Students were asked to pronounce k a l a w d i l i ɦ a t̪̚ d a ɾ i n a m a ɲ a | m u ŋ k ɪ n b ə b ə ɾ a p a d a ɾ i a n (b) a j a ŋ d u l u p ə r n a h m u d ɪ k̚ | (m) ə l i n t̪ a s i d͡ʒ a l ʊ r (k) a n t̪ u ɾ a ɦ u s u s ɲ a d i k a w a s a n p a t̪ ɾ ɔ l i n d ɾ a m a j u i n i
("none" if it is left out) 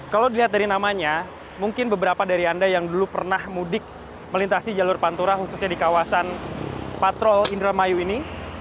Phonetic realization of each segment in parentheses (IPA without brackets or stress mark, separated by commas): d, m, p